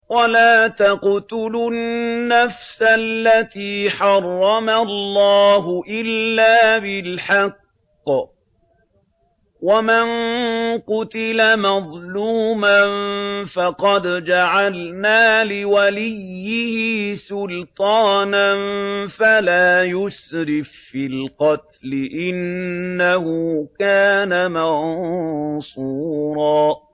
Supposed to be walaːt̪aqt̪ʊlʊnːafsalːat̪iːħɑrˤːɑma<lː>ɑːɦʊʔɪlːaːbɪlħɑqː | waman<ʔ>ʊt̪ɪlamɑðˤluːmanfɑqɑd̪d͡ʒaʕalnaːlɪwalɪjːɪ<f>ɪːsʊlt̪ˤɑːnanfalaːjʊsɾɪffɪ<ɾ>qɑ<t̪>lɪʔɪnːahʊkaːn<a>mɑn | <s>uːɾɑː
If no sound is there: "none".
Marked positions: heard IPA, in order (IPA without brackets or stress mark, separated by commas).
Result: lː, q, h, l, t̪, a, s